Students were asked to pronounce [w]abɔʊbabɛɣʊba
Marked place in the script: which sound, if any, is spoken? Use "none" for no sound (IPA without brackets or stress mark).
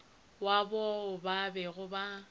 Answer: w